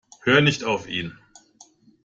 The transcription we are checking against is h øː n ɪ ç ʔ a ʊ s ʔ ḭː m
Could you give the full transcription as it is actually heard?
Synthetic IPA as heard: h øː n ɪ ç t a ʊ f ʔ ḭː n